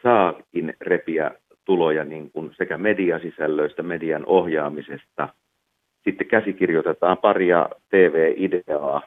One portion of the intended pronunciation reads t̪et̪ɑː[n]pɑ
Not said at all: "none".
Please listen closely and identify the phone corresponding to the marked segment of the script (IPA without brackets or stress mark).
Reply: m